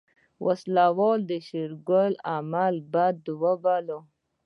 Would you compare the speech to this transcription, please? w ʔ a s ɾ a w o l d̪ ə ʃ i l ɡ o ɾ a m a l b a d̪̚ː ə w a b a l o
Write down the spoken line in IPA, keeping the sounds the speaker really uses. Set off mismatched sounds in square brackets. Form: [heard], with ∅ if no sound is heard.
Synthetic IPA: w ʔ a s [l] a w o l d̪ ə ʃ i [ɾ] ɡ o [l] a m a l b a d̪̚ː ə w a b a l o